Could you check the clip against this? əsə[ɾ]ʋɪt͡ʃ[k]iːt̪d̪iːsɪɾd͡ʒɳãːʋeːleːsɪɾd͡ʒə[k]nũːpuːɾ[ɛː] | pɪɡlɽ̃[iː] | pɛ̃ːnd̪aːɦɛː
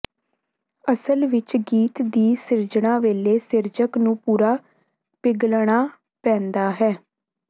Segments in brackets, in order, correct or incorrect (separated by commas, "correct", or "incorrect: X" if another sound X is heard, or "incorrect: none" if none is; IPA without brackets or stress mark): incorrect: l, incorrect: ɡ, correct, incorrect: aː, incorrect: aː